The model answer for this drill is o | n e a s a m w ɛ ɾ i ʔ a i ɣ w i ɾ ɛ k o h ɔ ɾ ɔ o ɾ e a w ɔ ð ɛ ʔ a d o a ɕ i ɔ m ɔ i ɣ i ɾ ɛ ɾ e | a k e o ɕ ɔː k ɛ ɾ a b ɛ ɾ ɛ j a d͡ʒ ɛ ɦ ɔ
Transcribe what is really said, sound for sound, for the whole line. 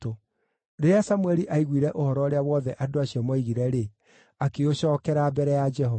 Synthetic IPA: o | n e a s a m w ɛ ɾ i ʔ a i ɣ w i ɾ ɛ ʔ o h ɔ ɾ ɔ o ɾ e a w ɔ ð ɛ ʔ a d o a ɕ i ɔ m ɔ i ɣ i ɾ ɛ ɾ e | a k e o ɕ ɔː k ɛ ɾ a b ɛ ɾ ɛ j a d͡ʒ ɛ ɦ ɔ